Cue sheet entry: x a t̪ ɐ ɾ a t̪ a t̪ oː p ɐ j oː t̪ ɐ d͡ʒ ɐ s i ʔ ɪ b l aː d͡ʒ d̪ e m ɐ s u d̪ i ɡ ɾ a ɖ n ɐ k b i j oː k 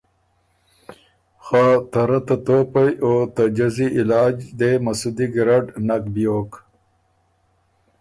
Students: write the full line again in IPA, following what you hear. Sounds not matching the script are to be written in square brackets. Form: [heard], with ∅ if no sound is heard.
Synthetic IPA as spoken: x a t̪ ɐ ɾ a t̪ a t̪ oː p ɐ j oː t̪ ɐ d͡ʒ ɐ [z] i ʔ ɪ [∅] l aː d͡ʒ d̪ e m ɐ s u d̪ i ɡ ɾ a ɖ n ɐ k b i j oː k